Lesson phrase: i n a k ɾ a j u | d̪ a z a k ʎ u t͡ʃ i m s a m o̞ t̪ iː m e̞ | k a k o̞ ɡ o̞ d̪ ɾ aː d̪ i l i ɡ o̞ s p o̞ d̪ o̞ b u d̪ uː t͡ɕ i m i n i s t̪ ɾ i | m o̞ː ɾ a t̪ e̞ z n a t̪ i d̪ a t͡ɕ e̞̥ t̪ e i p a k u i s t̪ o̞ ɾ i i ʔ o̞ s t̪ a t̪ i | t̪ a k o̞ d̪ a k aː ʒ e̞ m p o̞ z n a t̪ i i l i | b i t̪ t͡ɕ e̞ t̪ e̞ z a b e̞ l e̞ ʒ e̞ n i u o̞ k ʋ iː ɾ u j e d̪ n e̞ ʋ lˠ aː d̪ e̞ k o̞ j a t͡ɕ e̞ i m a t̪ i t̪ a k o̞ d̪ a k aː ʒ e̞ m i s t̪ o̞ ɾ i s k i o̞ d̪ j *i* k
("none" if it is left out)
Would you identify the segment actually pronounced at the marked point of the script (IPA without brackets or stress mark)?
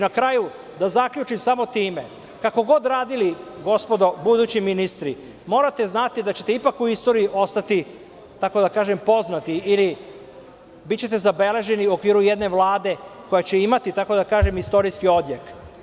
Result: e